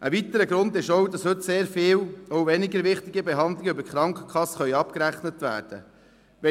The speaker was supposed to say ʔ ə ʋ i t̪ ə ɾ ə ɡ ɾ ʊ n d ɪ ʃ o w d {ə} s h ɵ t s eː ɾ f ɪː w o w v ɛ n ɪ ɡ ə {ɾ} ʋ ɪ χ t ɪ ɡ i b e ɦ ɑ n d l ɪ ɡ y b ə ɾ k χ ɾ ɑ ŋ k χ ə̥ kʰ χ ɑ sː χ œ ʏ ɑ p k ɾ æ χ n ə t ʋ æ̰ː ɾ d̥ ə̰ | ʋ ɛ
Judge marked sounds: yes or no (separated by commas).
no, yes